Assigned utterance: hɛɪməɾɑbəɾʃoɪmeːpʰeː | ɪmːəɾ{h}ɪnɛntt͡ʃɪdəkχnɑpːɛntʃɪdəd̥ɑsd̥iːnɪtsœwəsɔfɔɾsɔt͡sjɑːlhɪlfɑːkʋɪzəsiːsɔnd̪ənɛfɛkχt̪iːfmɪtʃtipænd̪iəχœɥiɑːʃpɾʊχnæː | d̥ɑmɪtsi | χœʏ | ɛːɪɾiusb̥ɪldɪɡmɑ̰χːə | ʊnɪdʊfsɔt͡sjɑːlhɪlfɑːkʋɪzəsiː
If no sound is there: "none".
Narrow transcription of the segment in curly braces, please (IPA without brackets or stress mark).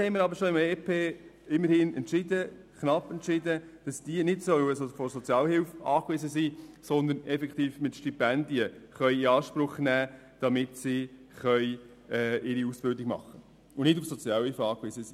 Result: h